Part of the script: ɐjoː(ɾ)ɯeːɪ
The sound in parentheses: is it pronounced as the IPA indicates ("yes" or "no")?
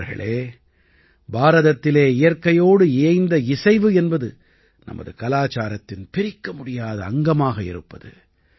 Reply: no